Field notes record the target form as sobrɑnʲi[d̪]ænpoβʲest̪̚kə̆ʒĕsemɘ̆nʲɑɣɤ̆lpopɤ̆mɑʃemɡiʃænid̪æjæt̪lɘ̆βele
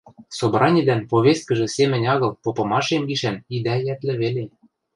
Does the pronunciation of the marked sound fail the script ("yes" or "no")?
no